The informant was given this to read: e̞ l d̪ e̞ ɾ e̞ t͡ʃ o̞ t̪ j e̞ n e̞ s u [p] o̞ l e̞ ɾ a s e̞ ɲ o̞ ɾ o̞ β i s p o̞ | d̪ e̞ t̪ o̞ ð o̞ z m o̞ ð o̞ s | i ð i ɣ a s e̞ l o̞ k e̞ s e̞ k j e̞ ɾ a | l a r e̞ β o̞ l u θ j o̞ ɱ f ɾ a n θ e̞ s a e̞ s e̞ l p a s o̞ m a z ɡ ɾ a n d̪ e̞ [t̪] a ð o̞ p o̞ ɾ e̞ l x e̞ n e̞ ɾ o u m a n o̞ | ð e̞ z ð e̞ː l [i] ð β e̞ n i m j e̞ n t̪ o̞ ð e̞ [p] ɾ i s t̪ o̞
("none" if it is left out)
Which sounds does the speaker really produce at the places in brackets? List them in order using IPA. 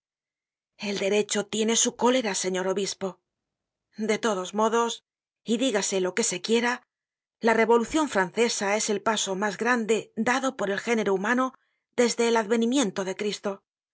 k, d̪, a, k

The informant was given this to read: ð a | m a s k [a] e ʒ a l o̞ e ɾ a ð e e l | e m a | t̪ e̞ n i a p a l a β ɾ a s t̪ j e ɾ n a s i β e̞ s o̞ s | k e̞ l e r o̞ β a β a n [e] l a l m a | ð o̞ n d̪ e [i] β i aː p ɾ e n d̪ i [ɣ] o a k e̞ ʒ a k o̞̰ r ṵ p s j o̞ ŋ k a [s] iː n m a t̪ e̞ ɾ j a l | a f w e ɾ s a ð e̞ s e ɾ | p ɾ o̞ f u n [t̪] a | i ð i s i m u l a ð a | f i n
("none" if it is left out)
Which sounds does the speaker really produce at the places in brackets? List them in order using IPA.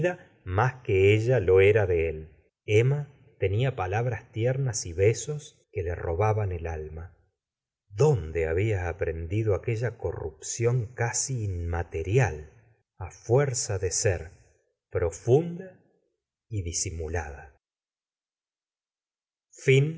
e, e, a, ð, s, d̪

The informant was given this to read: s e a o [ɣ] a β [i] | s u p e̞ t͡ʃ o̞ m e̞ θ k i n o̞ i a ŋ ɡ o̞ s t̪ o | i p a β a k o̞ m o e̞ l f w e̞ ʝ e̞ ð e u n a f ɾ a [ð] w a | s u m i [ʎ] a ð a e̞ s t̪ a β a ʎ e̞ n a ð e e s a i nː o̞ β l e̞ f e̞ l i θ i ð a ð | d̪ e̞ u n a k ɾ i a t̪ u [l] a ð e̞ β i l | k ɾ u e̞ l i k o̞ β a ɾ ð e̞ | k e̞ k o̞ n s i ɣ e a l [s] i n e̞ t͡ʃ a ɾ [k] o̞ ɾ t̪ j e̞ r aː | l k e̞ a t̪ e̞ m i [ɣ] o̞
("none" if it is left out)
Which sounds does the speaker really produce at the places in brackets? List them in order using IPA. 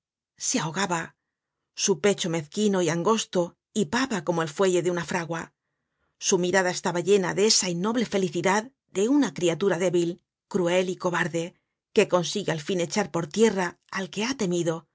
ɣ, a, ɣ, ɾ, ɾ, f, p, ð

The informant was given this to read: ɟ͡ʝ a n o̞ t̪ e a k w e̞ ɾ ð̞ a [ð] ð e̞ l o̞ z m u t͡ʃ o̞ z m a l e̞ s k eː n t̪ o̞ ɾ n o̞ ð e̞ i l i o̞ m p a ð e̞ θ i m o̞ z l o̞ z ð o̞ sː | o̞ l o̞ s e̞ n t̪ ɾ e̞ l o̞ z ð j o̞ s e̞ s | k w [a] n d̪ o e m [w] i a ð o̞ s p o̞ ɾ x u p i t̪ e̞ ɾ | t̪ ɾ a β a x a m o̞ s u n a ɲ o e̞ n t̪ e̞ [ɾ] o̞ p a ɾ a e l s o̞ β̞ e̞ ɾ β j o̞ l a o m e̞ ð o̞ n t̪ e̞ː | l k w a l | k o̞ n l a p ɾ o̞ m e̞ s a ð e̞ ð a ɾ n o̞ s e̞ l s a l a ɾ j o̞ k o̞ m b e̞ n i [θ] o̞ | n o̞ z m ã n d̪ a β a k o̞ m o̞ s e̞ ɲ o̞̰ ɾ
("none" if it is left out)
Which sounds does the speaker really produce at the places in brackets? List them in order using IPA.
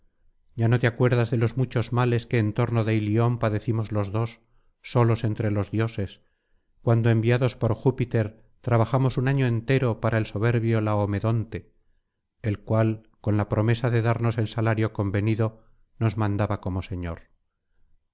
z, a, b, ɾ, ð

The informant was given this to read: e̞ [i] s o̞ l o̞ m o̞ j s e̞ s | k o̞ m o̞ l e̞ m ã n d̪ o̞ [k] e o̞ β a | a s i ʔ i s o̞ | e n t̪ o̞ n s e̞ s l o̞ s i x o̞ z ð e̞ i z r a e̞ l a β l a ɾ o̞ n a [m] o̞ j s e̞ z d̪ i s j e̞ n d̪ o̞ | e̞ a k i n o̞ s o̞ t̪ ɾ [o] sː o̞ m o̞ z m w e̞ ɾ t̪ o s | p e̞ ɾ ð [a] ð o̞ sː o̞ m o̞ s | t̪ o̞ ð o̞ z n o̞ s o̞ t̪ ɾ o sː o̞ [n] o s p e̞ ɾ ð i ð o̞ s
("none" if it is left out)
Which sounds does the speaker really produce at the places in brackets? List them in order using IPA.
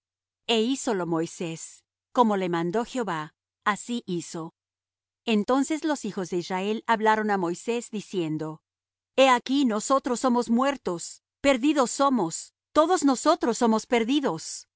i, x, m, o, i, m

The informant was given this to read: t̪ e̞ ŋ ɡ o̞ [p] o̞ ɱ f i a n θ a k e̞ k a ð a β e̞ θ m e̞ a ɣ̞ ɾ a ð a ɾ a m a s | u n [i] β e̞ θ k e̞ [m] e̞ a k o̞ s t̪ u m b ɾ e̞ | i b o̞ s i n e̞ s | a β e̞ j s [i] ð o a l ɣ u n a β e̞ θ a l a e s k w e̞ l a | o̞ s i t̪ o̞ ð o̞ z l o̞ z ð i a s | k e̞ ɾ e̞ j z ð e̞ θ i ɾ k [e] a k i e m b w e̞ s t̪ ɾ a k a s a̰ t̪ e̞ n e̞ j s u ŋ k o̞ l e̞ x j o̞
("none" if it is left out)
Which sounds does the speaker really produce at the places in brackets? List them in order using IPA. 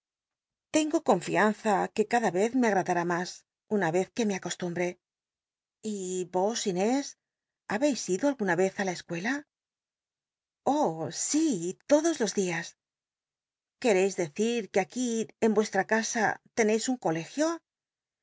k, a, m, i, e

